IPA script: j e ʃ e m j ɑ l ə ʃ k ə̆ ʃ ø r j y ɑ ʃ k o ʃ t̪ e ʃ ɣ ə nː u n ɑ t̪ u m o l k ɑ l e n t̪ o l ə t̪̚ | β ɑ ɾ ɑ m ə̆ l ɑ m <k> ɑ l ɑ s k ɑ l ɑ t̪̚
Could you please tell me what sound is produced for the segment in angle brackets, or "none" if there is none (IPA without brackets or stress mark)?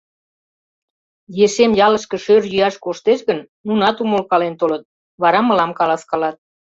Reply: k